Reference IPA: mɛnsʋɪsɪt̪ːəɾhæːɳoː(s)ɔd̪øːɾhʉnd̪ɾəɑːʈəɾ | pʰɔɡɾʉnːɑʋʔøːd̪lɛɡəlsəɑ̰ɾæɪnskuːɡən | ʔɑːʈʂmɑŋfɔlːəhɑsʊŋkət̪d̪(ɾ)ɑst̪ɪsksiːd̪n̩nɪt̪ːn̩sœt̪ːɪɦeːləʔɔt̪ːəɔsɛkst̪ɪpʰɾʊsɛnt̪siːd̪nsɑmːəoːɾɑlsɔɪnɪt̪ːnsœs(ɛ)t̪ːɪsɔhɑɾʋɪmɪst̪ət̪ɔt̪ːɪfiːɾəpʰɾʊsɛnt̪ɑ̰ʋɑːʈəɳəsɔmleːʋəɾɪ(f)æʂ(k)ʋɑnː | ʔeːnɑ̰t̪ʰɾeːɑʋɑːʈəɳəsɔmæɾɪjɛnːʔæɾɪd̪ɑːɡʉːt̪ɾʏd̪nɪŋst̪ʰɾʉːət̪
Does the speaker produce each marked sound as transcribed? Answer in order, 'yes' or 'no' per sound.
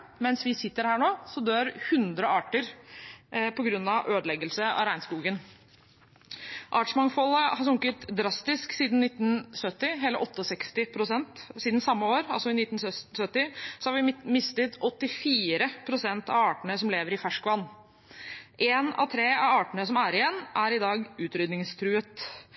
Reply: yes, yes, no, yes, yes

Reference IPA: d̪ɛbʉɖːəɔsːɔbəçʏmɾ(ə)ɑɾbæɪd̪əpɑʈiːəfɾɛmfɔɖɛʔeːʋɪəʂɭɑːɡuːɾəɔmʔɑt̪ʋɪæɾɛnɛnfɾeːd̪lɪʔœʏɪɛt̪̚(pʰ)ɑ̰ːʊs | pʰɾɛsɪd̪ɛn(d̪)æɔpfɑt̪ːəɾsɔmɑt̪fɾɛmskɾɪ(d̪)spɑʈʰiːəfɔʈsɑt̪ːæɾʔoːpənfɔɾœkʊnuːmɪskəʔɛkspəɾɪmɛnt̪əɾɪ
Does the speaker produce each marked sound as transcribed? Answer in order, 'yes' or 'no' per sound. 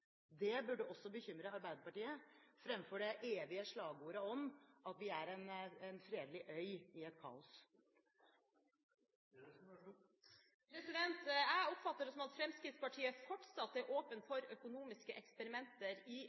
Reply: yes, no, no, no

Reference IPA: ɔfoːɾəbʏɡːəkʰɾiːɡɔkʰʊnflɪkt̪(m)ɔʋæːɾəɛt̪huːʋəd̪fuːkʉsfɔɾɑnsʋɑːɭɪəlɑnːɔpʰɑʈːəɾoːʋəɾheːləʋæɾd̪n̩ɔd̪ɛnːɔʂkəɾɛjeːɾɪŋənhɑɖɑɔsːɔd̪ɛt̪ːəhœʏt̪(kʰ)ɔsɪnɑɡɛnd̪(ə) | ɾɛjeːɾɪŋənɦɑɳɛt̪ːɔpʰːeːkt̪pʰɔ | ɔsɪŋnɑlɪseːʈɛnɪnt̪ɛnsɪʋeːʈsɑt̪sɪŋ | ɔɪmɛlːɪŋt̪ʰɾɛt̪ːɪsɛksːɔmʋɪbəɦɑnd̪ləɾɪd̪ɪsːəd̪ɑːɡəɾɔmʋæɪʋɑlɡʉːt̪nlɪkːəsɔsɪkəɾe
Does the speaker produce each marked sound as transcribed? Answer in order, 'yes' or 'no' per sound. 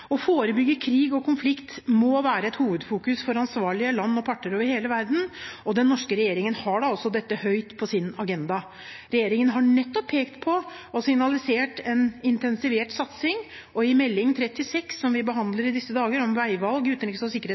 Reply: yes, no, no

